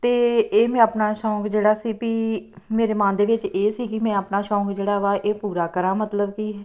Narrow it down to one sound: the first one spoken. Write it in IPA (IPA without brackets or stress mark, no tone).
t̪